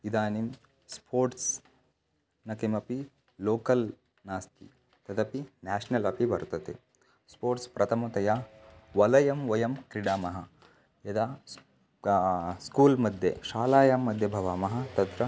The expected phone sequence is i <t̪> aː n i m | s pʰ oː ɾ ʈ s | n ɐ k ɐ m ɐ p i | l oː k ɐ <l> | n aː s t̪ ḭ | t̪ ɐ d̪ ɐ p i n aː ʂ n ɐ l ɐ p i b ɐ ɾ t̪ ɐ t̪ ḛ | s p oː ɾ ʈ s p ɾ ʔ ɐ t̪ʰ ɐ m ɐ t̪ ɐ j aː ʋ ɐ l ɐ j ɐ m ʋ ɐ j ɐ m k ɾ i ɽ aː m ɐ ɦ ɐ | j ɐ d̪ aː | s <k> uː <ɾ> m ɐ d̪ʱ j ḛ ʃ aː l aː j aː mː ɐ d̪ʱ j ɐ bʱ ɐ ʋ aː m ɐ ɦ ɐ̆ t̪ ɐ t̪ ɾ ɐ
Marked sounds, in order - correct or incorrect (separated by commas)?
incorrect, correct, correct, incorrect